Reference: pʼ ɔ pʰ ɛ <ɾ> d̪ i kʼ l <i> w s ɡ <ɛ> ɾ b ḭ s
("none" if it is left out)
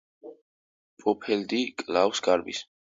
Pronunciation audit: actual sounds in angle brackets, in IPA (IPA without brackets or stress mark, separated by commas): l, a, a